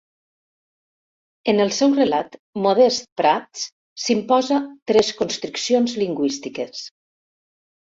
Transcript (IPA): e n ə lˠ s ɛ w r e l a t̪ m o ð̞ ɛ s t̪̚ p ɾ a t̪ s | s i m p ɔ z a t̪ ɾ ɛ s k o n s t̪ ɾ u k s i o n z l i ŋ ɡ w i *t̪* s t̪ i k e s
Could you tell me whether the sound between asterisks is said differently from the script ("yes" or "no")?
yes